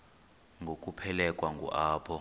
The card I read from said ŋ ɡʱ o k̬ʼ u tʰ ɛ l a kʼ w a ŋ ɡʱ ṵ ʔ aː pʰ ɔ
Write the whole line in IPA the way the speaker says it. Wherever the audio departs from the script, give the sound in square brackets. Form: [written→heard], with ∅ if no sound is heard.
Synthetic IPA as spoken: ŋ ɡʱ o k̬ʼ u [tʰ→pʰ] ɛ l [a→ɛ] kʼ w a ŋ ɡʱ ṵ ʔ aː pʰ ɔ